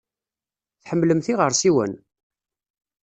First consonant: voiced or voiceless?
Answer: voiceless